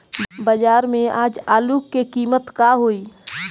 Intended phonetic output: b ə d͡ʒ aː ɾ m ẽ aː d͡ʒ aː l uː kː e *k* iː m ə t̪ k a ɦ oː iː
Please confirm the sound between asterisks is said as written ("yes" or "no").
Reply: yes